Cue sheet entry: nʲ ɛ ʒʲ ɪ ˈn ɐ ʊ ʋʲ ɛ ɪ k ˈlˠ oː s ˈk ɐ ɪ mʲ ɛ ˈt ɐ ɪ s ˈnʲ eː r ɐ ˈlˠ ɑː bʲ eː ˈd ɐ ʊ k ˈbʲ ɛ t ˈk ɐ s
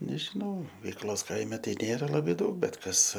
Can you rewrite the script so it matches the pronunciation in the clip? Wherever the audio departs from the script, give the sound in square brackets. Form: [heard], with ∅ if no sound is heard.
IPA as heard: nʲ ɛ ʒʲ ɪ ˈn ɐ ʊ ʋʲ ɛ ɪ k ˈlˠ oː s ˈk ɐ ɪ mʲ ɛ ˈt ɐ ɪ [∅] ˈnʲ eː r ɐ ˈlˠ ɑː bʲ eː ˈd ɐ ʊ k ˈbʲ ɛ t ˈk ɐ s